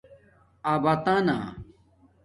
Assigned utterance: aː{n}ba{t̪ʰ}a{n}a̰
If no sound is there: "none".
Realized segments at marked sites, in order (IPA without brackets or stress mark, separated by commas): none, t̪, n